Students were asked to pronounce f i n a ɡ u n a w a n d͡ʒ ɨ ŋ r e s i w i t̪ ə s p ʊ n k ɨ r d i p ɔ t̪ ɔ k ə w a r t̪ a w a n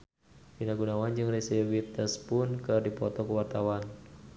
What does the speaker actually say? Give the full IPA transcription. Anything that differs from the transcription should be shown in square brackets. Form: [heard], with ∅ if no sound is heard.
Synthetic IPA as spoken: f i n a ɡ u n a w a n d͡ʒ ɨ ŋ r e s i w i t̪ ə s p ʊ n k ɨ r d i p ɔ t̪ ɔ k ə w a r t̪ a w a n